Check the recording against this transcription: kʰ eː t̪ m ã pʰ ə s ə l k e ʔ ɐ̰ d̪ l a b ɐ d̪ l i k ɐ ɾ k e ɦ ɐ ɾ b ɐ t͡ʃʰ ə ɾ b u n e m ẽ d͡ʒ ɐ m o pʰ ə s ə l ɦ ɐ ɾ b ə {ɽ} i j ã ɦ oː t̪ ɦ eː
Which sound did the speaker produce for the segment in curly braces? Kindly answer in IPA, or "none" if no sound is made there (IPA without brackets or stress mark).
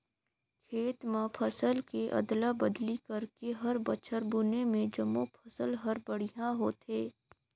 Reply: ɽ